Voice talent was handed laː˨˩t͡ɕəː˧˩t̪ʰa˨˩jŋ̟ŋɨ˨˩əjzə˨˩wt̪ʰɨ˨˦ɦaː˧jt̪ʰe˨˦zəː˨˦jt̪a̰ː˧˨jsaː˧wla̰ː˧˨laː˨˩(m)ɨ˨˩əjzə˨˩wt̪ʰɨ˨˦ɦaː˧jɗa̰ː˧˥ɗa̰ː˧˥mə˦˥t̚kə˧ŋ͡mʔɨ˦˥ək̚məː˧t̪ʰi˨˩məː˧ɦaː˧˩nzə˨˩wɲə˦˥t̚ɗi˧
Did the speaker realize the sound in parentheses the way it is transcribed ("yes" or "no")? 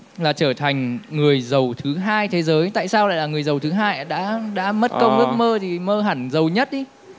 no